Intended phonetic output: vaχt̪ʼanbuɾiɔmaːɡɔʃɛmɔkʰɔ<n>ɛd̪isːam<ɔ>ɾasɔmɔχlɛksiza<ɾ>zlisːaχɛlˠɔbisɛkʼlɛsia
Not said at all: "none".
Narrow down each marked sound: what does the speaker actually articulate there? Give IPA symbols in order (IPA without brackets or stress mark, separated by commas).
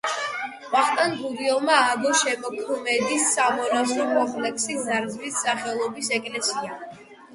m, ɔ, ɾ